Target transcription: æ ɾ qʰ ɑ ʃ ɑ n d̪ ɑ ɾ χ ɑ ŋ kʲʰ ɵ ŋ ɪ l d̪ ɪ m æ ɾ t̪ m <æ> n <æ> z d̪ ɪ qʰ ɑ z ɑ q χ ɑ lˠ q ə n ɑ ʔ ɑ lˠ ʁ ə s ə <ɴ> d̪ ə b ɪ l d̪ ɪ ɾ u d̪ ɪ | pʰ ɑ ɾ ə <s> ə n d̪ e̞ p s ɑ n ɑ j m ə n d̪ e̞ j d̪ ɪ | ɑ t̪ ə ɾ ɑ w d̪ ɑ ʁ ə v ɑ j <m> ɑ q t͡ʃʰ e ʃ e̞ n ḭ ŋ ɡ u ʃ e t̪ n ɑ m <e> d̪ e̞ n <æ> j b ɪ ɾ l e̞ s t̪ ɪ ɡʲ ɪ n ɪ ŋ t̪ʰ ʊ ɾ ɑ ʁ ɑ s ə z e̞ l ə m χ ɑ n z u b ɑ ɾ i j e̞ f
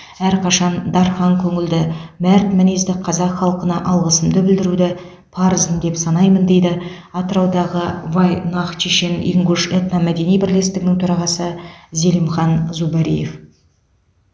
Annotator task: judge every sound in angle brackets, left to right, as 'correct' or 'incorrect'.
correct, incorrect: e, incorrect: m, incorrect: z, incorrect: n, incorrect: æ, incorrect: i

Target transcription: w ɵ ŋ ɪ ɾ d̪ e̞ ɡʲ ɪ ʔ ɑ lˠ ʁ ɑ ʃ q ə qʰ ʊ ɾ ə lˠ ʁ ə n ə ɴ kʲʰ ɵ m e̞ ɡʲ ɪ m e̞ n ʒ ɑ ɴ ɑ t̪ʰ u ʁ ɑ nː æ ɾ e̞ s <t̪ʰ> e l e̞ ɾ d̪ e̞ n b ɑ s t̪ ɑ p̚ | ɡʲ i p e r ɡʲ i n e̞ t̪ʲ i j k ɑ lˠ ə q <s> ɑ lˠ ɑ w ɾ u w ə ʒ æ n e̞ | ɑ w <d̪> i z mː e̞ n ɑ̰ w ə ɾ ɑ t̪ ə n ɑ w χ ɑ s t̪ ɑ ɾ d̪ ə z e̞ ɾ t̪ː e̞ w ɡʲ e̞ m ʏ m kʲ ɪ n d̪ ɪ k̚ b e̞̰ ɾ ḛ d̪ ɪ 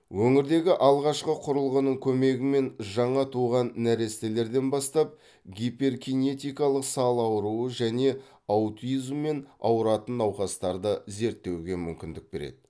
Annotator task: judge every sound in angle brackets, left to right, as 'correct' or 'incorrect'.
incorrect: t̪, correct, incorrect: t̪

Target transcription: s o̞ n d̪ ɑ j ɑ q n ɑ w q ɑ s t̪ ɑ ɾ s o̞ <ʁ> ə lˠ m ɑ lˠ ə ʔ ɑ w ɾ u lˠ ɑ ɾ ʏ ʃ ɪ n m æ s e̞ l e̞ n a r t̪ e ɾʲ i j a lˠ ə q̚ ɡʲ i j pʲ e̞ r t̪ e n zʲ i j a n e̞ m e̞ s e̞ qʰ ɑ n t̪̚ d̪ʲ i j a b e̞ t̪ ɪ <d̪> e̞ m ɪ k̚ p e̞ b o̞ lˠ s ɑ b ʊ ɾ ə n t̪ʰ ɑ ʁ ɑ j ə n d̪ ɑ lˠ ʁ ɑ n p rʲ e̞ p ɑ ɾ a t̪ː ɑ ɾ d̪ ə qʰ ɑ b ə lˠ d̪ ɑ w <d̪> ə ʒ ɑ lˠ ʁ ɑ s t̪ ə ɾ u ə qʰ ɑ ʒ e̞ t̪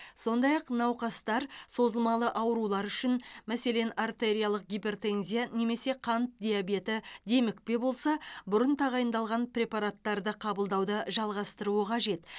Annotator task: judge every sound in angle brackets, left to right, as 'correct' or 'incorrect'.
incorrect: z, correct, correct

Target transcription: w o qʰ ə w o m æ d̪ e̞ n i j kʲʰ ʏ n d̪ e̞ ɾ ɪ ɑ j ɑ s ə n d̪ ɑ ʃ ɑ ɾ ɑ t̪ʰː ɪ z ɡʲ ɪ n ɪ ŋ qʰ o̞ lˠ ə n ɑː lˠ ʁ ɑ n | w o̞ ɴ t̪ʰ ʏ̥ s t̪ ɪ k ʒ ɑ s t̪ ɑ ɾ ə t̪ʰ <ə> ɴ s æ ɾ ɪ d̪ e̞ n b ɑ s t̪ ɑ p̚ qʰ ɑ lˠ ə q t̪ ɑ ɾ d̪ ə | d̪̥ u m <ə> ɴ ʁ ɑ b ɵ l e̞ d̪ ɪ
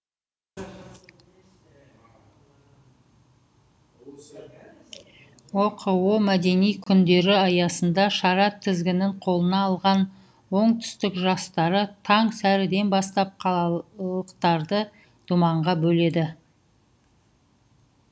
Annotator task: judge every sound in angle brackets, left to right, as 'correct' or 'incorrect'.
incorrect: ɑ, incorrect: ɑ

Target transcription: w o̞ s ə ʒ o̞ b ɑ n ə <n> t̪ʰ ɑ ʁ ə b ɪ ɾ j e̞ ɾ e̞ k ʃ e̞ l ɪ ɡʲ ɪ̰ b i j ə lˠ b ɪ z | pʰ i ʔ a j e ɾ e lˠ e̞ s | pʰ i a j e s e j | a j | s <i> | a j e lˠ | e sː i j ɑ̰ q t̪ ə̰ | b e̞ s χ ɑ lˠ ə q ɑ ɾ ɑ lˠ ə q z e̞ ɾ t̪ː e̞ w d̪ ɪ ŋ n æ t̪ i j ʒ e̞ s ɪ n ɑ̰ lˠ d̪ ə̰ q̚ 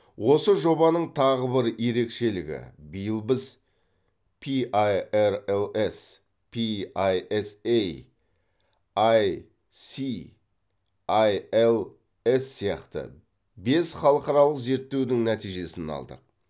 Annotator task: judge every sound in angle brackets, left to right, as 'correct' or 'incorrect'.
incorrect: ɴ, correct

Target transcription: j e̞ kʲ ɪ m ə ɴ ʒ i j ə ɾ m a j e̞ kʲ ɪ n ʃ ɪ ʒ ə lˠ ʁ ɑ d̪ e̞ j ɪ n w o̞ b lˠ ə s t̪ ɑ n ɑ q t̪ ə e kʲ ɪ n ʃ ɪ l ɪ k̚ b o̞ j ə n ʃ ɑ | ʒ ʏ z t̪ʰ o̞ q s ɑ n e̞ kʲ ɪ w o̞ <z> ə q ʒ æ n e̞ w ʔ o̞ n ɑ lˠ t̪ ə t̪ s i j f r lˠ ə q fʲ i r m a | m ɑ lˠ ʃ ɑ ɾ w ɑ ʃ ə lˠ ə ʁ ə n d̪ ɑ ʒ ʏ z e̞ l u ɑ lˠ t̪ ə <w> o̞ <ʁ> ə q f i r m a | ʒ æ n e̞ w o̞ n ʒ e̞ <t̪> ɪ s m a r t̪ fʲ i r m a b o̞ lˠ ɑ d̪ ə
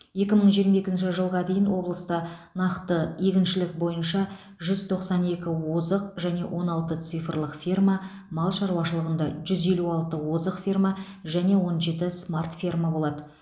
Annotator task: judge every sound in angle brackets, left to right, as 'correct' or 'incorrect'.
correct, correct, incorrect: z, correct

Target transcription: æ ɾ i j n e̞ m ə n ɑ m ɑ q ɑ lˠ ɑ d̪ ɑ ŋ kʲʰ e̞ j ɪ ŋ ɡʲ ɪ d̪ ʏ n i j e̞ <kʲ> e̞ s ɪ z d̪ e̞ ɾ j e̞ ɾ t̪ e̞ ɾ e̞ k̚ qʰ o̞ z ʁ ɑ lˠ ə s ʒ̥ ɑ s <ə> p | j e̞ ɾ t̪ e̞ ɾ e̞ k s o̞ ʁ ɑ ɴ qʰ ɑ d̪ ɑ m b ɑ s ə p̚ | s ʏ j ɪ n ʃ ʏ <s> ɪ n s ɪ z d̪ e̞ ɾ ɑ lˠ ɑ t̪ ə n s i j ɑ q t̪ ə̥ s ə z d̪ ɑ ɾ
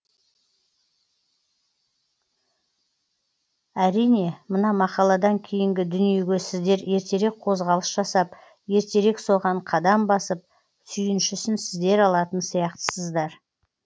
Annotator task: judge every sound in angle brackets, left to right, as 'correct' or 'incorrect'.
incorrect: ɡʲ, incorrect: ɑ, correct

